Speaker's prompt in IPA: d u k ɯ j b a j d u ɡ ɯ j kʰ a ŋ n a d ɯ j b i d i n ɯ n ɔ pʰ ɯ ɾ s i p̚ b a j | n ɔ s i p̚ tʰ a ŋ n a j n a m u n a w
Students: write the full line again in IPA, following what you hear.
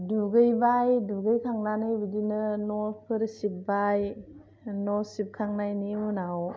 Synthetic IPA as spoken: d u ɡ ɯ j b a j d u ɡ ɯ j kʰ a ŋ n a n ɯ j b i d i n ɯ n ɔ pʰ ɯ ɾ s i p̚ b a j | n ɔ s i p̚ kʰ a ŋ n a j n i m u n a w